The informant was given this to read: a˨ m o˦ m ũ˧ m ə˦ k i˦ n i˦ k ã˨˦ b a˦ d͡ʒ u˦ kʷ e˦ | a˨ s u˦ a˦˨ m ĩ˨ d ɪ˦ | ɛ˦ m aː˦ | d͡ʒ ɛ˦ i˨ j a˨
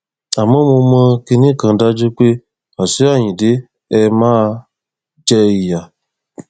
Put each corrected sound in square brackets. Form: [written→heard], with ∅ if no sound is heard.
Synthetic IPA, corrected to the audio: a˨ m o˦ m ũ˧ m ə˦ k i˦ n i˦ k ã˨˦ [b→d] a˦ d͡ʒ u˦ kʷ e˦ | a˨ s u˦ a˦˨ [m→ɲ] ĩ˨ d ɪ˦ | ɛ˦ m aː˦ | d͡ʒ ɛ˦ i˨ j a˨